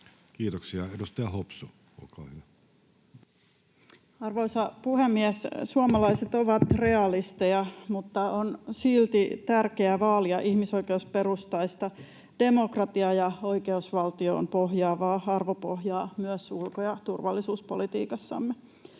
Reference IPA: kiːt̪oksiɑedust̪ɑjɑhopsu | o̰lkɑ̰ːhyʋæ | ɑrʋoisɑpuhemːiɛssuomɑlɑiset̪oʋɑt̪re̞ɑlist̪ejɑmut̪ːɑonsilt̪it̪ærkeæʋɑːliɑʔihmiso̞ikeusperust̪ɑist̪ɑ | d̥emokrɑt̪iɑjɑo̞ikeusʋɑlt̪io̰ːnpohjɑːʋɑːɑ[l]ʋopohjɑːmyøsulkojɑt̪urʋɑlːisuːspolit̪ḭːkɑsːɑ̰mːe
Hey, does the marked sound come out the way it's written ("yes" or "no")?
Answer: no